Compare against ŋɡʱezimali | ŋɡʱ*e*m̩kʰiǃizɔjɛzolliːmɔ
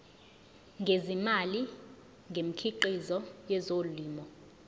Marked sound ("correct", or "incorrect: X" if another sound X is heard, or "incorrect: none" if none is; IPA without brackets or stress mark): correct